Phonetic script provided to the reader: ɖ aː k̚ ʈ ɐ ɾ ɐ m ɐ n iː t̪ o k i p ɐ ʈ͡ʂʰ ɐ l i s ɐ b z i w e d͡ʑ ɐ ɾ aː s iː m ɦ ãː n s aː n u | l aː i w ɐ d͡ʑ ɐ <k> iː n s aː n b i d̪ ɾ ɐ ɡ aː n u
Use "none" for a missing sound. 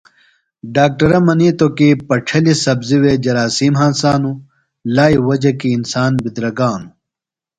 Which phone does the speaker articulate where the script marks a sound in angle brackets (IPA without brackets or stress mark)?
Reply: k